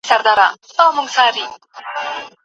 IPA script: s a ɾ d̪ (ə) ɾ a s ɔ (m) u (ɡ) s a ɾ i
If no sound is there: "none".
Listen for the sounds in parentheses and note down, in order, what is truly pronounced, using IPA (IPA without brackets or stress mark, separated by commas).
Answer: a, m, ŋ